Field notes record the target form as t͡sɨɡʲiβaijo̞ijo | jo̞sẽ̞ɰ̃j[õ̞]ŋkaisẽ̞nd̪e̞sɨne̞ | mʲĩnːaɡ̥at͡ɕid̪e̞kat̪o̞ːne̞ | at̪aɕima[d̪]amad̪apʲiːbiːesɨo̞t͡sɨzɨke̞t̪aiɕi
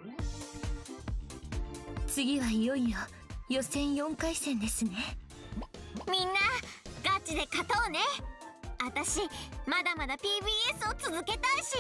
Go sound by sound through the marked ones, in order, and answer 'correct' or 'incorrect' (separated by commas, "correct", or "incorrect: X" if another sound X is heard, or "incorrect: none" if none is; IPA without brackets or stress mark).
correct, correct